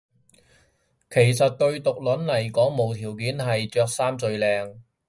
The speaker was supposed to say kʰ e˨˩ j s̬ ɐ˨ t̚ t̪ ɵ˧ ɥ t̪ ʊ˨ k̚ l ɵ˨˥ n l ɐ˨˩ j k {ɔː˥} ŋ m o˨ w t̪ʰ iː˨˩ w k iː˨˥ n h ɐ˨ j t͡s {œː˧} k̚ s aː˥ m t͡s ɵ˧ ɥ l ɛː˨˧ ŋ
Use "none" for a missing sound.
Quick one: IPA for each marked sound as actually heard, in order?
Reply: ɔː˨˥, œː˧

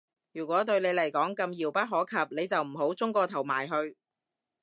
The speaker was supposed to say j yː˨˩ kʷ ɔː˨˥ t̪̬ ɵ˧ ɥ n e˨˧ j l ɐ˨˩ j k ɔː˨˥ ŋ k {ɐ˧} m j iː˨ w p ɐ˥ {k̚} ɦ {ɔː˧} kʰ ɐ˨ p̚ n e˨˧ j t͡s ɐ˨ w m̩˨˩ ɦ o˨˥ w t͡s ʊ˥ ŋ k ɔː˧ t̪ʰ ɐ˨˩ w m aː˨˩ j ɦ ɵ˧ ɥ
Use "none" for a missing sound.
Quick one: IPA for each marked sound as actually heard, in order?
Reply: ɐ˧, t̚, ɔː˨˥

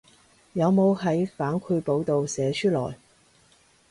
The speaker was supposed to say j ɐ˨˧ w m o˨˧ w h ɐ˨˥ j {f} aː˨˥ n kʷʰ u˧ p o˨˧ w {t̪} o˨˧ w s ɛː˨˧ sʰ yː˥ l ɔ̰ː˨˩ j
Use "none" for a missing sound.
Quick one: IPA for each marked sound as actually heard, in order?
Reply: f, t̪

